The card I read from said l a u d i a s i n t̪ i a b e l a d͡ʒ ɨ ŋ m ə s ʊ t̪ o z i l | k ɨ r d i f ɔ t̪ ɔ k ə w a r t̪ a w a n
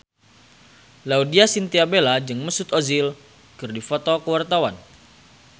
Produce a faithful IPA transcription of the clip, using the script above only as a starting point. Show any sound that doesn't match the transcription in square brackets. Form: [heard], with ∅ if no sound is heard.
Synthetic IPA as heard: l a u d i a s i n t̪ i a b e l a d͡ʒ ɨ ŋ m ə s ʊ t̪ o z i l | k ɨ r d i f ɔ t̪ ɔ k ə w a r t̪ a w a n